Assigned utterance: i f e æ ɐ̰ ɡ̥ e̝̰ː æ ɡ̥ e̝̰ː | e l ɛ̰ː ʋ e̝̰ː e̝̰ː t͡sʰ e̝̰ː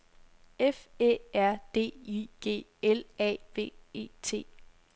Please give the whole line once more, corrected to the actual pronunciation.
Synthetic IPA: e f e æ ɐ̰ d̥ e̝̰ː i ɡ̥ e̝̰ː | e l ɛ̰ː ʋ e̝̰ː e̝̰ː t͡sʰ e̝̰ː